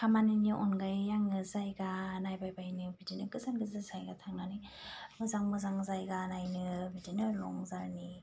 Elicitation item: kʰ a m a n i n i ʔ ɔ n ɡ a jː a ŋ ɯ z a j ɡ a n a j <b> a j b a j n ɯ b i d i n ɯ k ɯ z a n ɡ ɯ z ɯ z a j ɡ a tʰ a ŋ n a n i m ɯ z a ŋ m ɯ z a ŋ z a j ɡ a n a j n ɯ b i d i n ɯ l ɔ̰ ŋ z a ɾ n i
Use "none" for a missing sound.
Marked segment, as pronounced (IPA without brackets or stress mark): b